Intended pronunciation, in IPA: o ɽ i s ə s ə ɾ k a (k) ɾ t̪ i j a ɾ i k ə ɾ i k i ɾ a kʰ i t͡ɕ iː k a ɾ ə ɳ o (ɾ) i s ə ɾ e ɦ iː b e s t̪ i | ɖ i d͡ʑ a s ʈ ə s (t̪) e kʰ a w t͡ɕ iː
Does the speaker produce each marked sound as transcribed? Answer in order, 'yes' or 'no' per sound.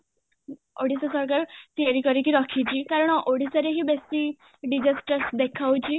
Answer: no, no, no

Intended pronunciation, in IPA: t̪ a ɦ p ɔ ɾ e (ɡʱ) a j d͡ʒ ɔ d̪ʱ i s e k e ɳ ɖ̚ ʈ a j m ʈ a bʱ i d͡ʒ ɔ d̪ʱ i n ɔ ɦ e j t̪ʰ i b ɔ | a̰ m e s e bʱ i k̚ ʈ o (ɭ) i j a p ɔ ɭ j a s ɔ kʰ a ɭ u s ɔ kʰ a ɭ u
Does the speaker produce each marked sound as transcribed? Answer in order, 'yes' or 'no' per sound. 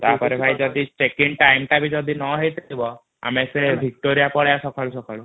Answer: no, no

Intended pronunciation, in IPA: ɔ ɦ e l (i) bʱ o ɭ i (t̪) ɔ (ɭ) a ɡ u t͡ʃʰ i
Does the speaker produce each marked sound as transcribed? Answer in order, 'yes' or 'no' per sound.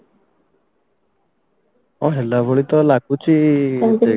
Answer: no, yes, no

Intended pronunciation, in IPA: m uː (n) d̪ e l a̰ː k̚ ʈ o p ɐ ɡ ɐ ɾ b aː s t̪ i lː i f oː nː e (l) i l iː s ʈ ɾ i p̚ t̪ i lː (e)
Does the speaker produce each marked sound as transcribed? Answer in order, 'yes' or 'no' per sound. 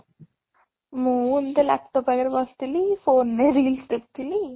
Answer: yes, no, no

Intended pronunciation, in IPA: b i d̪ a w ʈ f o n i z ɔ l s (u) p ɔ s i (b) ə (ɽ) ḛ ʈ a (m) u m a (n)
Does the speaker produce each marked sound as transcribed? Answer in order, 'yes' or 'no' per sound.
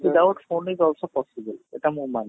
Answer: no, yes, no, yes, yes

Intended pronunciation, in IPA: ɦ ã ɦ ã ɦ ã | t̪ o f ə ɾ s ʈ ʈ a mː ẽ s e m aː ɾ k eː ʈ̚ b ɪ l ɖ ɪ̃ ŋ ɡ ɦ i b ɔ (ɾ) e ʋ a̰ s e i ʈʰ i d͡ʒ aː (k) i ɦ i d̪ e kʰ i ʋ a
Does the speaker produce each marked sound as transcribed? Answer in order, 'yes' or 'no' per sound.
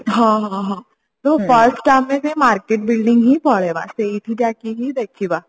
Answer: no, yes

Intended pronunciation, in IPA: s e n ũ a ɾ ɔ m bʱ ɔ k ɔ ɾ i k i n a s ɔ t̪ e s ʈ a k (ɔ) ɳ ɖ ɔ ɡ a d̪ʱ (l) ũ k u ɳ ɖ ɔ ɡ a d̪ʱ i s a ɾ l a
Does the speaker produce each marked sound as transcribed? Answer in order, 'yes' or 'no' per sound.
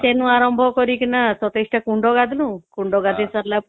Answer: no, yes

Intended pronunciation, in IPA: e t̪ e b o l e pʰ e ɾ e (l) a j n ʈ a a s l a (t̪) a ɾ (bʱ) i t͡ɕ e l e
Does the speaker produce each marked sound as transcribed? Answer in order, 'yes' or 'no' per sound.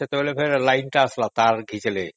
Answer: yes, yes, no

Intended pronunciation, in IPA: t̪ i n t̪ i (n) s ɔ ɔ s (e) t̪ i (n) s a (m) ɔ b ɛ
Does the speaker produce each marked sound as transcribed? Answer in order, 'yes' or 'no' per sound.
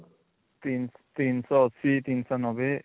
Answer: yes, no, yes, no

